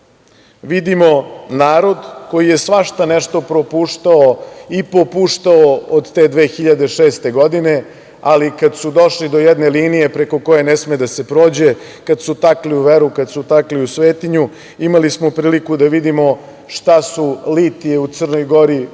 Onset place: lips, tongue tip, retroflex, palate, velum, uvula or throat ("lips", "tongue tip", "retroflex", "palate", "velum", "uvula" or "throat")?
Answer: lips